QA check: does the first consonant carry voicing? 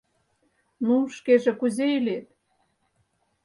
yes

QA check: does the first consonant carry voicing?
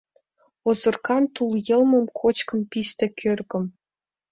yes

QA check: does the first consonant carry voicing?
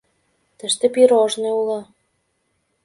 no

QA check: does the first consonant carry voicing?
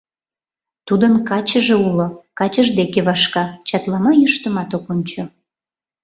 no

